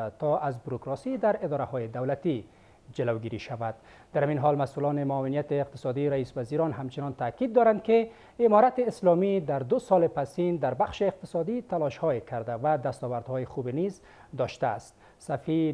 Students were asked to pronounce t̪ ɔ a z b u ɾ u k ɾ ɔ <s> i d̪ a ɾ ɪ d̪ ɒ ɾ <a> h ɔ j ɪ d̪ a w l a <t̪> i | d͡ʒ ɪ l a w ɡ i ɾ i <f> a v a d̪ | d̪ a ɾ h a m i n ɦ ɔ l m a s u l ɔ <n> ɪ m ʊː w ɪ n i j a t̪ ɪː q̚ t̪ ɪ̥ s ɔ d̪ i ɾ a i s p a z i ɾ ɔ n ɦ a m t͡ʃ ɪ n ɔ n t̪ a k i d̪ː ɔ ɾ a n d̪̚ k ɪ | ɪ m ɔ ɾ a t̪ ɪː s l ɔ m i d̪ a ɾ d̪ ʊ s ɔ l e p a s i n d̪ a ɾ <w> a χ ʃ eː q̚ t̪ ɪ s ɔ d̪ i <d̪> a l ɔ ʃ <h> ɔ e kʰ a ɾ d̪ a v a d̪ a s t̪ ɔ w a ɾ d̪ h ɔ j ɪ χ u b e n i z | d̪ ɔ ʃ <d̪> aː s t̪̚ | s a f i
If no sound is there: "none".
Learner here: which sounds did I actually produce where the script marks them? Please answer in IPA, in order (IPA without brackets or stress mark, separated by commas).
s, a, t̪, ʃ, n, b, t̪, h, t̪